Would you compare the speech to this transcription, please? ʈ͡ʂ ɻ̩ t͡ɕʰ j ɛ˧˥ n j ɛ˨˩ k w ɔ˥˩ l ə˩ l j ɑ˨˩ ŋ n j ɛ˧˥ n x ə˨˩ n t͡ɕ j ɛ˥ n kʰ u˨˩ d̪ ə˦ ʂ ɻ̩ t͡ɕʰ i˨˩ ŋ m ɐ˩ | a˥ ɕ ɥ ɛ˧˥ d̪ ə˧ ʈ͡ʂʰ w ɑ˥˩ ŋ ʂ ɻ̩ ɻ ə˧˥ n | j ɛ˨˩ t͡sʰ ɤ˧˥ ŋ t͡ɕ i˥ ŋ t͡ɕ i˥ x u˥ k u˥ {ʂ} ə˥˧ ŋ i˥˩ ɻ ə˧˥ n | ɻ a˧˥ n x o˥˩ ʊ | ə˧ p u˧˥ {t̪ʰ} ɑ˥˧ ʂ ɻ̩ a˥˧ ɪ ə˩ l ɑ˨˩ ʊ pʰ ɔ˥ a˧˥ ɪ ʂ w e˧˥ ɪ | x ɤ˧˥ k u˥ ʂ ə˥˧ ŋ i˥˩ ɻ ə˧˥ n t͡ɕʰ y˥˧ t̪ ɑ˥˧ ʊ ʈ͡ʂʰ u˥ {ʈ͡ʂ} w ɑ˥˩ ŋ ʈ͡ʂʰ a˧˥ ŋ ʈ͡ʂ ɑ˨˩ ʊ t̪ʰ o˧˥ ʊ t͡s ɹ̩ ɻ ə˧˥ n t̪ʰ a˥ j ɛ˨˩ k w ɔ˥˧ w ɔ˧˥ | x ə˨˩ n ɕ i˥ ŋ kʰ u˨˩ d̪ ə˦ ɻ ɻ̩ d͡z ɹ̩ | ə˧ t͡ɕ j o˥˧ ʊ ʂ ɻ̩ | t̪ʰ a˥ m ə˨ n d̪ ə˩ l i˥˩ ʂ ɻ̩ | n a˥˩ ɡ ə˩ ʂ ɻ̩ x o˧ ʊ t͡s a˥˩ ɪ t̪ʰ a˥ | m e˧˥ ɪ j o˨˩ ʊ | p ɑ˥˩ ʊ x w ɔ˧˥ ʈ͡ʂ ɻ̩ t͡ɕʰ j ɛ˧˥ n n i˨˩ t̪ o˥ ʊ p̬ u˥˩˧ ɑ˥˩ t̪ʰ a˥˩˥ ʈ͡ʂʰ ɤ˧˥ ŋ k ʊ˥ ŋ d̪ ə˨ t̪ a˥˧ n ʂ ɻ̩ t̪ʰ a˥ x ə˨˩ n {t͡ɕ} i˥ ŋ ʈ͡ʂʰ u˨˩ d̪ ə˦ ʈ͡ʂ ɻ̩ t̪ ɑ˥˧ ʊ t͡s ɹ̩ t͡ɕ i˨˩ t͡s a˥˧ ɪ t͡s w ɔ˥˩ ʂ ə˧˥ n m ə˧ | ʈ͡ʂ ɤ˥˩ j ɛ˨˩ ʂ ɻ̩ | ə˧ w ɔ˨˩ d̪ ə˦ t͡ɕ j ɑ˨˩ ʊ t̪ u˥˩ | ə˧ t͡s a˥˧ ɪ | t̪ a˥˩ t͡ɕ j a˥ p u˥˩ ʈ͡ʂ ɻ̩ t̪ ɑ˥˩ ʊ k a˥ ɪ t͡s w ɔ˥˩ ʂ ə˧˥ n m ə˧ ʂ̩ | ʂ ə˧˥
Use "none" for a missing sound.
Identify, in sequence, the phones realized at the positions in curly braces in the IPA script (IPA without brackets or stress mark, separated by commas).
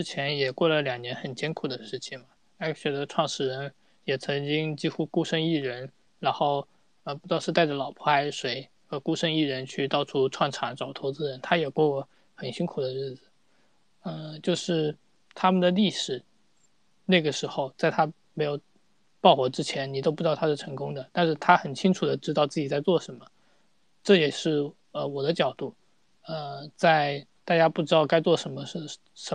ʂ, t̪, ʈ͡ʂʰ, t͡ɕʰ